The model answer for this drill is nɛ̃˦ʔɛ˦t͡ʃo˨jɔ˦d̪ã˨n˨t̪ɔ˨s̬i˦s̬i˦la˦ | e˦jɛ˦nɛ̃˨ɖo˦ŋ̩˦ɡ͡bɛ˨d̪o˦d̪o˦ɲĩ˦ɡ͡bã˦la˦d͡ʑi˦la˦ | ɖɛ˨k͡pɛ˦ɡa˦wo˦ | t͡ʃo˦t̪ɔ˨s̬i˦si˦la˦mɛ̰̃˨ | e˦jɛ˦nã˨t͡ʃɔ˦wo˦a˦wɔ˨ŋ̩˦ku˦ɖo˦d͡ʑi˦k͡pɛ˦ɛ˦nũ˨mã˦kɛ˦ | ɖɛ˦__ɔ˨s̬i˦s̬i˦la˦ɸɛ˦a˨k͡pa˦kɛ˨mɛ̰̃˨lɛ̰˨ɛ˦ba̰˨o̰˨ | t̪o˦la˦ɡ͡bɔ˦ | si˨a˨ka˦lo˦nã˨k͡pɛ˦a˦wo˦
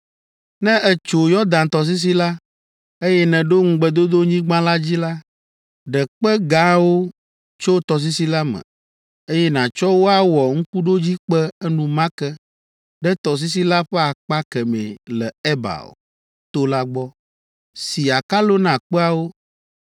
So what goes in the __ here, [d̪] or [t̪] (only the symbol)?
t̪